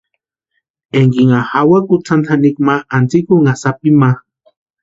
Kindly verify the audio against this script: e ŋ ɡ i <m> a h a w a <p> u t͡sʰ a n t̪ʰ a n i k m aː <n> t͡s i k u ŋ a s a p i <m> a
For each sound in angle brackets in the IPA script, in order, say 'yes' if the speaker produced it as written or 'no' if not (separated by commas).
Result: no, no, yes, yes